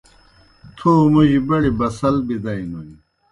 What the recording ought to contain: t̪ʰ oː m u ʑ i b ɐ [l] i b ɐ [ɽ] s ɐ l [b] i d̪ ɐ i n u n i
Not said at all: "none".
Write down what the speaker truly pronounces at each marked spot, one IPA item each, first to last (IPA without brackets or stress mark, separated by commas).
ɽ, none, b